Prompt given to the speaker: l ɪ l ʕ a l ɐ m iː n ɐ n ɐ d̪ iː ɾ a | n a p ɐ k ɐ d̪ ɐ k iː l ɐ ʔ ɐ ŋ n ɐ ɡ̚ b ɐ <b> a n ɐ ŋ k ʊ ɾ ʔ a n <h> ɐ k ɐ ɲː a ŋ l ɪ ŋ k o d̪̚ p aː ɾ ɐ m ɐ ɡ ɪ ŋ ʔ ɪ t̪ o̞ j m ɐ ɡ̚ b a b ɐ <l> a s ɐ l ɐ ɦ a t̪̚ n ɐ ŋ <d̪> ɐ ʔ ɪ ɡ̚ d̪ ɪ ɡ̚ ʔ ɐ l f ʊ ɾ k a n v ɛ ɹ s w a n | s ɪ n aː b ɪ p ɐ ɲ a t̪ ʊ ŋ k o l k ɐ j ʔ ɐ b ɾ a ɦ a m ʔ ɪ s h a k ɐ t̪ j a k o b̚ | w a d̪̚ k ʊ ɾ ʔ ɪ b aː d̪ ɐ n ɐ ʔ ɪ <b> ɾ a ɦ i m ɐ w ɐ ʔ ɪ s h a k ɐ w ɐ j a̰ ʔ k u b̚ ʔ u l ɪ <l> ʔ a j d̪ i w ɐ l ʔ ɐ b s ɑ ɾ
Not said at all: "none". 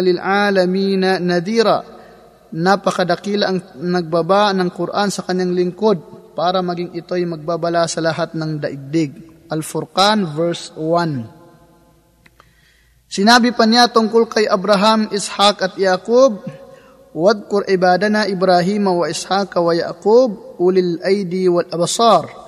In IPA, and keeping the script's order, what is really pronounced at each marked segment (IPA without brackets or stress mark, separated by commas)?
b, s, l, d̪, b, l